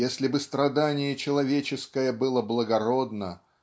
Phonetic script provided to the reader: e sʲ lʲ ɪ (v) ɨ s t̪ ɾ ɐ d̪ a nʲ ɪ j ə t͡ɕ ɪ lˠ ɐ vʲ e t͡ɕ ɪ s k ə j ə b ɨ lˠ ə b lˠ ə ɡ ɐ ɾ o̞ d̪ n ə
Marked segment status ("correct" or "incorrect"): incorrect